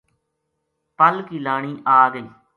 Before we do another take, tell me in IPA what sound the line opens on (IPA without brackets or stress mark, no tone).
p